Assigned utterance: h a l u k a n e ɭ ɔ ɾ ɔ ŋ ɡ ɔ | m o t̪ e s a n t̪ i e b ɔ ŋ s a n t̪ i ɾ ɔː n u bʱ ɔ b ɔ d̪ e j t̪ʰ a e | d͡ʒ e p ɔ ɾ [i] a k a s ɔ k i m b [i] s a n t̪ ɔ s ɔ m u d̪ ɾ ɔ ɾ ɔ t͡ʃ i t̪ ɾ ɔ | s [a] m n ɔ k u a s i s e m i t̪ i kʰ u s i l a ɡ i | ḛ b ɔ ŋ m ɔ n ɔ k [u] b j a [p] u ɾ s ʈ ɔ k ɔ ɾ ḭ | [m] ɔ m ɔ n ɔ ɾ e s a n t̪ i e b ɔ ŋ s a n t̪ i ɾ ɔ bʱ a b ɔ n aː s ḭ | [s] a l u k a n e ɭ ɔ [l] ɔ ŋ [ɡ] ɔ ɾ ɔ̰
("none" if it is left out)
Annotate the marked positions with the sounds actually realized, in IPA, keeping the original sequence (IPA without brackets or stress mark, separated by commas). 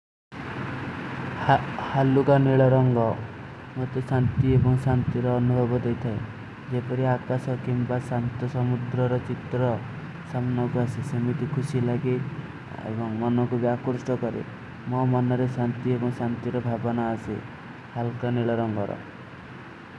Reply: i, a, a, u, k, m, h, ɾ, ɡ